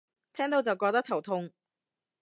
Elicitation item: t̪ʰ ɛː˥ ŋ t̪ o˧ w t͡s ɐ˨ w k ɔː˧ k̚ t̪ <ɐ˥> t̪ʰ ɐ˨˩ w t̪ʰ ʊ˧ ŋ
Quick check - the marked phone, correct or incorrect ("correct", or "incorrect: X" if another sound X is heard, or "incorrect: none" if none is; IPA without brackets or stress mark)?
correct